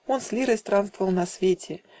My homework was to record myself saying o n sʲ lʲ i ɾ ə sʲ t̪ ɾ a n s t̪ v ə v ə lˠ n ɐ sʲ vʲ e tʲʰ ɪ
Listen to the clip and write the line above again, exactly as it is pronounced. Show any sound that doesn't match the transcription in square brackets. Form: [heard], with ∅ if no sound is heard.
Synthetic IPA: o n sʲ lʲ i ɾ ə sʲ t̪ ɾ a n s t̪ v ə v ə lˠ n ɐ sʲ vʲ e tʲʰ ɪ